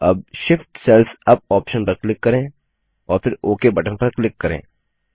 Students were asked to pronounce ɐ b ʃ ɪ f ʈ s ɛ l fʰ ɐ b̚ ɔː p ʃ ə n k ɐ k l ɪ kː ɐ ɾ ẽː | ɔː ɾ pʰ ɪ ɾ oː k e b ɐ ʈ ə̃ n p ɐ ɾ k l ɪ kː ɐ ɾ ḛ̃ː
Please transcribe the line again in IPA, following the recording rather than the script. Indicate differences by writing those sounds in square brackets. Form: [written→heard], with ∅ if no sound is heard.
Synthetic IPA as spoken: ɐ b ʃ ɪ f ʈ s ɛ l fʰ ɐ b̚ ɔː p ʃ ə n [k→p] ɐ k l ɪ kː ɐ ɾ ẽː | ɔː ɾ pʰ ɪ ɾ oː k e b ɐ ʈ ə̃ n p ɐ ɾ k l ɪ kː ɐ ɾ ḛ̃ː